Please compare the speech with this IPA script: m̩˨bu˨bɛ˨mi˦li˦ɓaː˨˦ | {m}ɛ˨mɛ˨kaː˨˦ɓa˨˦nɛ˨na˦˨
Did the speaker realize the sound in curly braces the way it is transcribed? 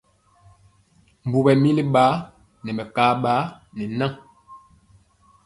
no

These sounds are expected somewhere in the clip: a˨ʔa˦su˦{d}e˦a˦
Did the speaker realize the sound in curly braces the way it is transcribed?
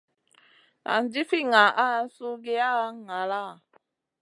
no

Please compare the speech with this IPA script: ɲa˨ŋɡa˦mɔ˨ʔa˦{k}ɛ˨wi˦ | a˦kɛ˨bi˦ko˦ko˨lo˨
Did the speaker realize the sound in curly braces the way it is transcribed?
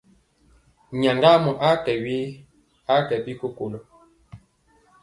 yes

